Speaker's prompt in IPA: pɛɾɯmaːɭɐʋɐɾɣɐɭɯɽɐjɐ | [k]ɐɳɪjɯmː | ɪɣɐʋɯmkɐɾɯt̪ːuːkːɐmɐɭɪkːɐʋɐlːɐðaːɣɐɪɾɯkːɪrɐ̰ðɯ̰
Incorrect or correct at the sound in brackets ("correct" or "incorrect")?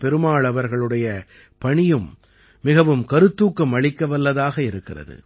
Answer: incorrect